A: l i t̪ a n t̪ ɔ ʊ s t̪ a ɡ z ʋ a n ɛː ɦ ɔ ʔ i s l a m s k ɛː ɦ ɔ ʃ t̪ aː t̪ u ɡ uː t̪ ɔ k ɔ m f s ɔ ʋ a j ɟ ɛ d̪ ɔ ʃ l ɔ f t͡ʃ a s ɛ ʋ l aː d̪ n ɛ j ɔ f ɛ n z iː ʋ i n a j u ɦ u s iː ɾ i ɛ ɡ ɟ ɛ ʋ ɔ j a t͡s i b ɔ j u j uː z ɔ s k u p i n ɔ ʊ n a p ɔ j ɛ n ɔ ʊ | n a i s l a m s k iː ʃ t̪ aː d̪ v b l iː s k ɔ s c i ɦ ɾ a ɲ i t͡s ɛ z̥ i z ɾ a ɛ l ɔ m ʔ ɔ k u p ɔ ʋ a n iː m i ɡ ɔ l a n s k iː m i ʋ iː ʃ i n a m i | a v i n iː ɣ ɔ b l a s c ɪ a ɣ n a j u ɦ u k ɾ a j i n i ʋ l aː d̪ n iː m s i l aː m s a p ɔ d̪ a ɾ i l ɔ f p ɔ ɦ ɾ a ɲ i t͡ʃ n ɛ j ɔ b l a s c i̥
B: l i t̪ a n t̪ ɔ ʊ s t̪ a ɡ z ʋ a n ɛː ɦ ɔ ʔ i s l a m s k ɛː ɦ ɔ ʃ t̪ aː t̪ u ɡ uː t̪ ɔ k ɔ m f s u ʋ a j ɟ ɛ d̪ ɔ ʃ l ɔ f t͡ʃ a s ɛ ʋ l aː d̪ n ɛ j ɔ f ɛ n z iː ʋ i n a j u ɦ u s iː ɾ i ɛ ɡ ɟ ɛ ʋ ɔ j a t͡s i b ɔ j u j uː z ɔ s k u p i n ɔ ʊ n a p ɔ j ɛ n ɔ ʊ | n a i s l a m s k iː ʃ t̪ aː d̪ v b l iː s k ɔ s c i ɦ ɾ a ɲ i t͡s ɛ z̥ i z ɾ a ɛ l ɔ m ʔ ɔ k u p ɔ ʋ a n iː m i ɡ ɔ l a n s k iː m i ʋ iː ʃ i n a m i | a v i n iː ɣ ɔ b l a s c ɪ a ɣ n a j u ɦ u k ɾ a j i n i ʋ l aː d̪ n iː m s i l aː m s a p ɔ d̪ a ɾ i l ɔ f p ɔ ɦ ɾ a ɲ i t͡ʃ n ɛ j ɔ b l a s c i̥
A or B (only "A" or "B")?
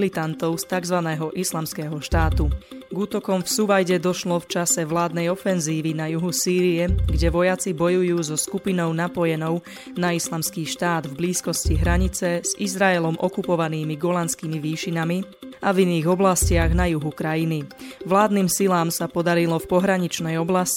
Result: B